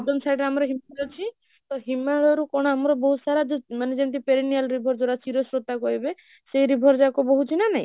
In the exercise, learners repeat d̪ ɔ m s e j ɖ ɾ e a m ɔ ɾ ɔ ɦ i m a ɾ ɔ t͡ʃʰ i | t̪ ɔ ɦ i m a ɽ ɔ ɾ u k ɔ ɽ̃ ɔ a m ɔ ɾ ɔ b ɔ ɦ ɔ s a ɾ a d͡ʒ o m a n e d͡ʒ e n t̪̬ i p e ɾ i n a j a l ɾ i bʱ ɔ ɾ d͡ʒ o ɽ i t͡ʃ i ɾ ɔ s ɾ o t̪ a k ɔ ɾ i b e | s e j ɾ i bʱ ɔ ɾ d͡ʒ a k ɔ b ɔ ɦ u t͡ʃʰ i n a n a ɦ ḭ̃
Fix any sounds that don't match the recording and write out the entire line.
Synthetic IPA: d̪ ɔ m s a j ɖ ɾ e a m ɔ ɾ ɔ ɦ i m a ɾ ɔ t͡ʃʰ i | t̪ ɔ ɦ i m a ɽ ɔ ɾ u k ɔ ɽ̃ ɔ a m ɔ ɾ ɔ b ɔ ɦ u s a ɾ a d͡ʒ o m a n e d͡ʒ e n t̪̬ i p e ɾ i n i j a l ɾ i bʱ ɔ ɾ d͡ʒ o ɽ a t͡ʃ i ɾ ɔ s ɾ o t̪ a k ɔ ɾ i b e | s e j ɾ i bʱ ɔ ɾ d͡ʒ a k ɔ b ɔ ɦ u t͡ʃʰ i n a n a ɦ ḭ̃